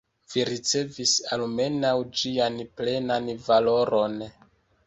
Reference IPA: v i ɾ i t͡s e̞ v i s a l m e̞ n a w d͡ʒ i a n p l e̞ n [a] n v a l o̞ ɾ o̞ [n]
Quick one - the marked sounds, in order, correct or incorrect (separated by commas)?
correct, correct